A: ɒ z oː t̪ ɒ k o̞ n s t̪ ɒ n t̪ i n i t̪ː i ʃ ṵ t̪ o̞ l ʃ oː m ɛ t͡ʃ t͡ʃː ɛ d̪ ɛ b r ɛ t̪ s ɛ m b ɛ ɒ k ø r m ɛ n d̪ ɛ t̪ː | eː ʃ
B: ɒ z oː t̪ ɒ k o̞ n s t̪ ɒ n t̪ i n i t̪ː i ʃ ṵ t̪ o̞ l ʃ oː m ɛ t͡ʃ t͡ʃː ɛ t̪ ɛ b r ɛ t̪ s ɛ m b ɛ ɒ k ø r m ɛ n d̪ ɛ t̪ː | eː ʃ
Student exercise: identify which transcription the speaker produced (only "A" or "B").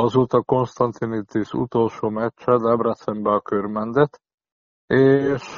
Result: A